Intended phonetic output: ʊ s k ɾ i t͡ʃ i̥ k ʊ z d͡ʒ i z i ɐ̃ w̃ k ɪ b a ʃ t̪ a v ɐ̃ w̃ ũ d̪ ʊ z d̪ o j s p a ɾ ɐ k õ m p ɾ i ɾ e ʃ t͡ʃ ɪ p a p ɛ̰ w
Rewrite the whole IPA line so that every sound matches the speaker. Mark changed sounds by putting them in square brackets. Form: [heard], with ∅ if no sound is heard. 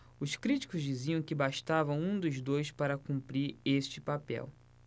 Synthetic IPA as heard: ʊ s k ɾ i t͡ʃ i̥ k ʊ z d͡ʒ i z i ɐ̃ w̃ k ɪ b a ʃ t̪ a v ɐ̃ w̃ ũ d̪ ʊ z d̪ o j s p a ɾ ɐ k [ũ] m p ɾ i ɾ e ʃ t͡ʃ ɪ p a p ɛ̰ w